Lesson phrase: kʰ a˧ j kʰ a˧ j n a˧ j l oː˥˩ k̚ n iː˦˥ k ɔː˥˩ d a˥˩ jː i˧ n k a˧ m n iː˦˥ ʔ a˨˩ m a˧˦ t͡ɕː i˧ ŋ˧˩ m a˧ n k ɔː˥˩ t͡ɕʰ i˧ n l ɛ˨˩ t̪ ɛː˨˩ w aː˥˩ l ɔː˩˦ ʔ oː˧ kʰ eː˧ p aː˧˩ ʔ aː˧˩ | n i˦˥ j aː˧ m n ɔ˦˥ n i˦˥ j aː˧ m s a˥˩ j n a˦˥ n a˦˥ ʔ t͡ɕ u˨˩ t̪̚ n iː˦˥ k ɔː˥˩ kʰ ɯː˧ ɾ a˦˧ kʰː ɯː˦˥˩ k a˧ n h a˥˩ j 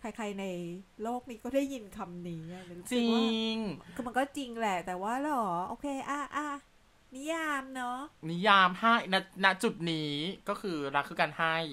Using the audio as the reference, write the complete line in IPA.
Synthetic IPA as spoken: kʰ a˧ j kʰ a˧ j n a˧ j l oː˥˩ k̚ n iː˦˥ k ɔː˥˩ d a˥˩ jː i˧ n kʰ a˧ m n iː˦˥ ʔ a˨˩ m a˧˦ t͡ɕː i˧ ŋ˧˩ m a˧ n k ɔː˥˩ t͡ɕ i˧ ŋ l ɛ˨˩ t̪ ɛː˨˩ w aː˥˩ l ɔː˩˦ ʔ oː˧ kʰ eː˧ ʔ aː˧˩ ʔ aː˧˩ | n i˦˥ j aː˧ m n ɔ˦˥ n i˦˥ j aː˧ m h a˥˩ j n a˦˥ n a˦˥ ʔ t͡ɕ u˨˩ t̪̚ n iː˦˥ k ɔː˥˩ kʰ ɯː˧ ɾ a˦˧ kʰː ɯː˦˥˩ k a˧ n h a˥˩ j